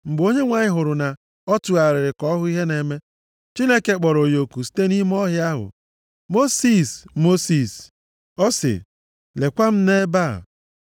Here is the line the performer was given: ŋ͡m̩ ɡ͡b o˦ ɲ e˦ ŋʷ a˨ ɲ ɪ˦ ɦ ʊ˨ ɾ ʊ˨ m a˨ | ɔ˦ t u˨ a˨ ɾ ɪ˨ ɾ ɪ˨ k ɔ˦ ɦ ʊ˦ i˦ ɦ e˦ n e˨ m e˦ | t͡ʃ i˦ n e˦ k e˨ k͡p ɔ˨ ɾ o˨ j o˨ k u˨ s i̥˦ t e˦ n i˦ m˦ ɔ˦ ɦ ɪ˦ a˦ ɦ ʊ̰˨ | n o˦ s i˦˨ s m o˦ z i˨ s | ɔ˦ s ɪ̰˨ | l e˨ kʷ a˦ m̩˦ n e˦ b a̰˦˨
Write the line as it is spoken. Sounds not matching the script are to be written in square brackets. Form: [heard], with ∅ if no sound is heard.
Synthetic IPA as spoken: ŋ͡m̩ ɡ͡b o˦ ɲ e˦ ŋʷ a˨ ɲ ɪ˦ ɦ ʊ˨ ɾ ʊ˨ [n] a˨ | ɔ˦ t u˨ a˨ ɾ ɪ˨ ɾ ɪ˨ k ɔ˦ ɦ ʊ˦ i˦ ɦ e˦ n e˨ m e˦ | t͡ʃ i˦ n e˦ k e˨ k͡p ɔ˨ ɾ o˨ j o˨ k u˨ s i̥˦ t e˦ n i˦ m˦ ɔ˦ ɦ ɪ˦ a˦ ɦ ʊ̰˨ | [m] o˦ s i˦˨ s m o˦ [s] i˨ s | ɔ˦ s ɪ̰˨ | l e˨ kʷ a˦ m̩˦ n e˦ b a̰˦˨